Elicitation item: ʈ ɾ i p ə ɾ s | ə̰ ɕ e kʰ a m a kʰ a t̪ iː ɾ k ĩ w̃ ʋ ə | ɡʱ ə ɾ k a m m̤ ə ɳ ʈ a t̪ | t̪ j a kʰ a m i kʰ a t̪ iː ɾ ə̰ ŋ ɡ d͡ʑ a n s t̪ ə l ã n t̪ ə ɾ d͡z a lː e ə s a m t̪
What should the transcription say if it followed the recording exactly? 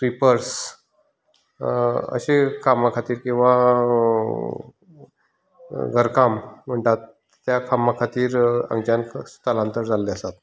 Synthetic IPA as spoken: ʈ ɾ i p ə ɾ s | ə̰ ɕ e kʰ a m a kʰ a t̪ iː ɾ k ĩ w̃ ʋ a | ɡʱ ə ɾ k a m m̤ ə ɳ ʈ a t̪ | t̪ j a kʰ a m a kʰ a t̪ iː ɾ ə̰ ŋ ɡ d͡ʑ a n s t̪ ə l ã n t̪ ə ɾ d͡z a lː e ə s a t̪